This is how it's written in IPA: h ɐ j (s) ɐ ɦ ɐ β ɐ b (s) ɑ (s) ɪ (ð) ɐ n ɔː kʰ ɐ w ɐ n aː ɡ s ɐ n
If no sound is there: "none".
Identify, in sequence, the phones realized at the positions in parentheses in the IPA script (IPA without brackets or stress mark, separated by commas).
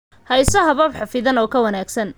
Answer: s, ħ, f, ð